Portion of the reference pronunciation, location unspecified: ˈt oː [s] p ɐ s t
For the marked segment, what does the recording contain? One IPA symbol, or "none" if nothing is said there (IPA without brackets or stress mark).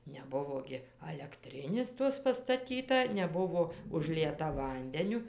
s